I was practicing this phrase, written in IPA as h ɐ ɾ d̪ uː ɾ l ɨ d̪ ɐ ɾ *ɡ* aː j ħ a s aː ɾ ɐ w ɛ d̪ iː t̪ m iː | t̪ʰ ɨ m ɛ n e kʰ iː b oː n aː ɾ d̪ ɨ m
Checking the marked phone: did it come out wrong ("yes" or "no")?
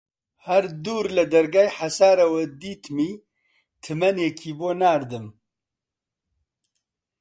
no